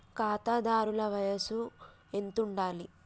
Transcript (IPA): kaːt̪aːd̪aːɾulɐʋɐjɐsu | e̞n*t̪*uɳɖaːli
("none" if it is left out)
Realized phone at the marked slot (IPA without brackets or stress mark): t̪